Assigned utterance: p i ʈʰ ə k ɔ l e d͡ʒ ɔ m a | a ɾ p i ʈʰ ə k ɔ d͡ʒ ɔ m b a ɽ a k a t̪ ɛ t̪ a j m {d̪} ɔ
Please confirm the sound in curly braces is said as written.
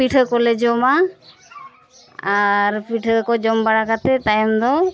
yes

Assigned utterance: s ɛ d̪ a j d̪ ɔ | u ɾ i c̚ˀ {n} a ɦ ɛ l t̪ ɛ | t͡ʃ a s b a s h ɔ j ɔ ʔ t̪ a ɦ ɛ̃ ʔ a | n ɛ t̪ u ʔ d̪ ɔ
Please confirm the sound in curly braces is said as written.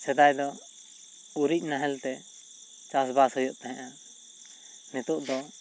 yes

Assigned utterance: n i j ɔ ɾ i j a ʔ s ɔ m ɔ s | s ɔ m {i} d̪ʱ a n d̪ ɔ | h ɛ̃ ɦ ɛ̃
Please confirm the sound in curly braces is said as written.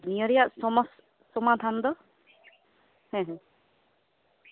no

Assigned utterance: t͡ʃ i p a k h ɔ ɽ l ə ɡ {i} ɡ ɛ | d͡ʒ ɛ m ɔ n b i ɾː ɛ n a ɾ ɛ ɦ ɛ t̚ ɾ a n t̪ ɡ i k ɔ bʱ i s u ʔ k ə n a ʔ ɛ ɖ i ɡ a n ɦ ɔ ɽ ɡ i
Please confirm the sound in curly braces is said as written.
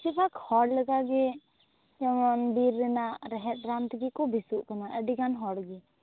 no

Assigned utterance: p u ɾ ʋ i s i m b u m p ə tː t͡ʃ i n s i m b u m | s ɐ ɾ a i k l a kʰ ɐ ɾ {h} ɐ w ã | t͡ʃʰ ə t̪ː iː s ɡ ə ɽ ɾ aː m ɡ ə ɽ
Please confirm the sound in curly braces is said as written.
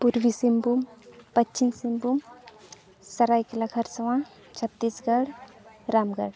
no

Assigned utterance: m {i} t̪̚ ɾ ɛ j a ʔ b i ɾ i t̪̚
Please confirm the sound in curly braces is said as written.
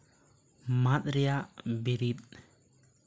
no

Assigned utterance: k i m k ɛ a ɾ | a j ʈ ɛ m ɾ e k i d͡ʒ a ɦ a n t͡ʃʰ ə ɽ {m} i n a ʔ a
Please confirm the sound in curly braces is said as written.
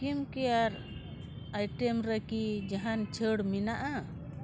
yes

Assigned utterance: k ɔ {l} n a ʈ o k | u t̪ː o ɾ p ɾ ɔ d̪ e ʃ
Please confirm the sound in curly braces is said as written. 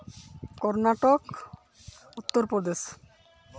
no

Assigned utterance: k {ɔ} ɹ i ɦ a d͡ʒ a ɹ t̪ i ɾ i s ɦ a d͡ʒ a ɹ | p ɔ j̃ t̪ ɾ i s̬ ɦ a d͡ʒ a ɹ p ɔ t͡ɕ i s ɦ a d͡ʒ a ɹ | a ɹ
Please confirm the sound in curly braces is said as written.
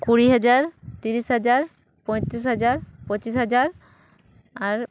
no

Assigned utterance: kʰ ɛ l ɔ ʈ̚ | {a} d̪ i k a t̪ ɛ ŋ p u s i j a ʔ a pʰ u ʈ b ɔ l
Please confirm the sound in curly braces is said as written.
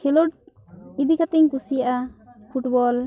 no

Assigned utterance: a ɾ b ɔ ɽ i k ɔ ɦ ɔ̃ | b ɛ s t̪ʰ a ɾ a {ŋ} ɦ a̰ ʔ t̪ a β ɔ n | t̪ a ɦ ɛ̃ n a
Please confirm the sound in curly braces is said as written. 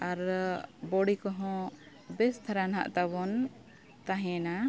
no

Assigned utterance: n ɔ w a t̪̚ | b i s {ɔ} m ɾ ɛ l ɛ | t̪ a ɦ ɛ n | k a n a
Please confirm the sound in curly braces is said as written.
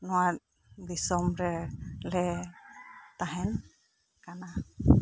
yes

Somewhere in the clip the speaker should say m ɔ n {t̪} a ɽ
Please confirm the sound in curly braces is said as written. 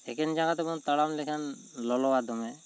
yes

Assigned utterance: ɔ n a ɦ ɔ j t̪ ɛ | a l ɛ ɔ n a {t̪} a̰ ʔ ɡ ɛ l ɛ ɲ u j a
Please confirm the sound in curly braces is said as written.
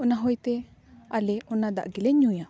no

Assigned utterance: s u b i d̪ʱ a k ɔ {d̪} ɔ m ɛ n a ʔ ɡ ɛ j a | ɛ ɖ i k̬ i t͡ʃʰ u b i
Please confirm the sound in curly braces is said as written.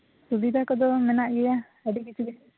yes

